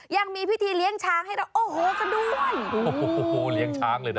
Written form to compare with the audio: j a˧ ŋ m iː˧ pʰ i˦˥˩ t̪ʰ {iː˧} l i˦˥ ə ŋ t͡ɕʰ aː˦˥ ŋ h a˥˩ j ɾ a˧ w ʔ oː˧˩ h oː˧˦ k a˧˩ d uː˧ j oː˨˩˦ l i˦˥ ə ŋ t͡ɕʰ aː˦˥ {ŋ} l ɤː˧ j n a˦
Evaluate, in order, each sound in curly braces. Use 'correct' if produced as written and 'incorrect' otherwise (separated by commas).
correct, correct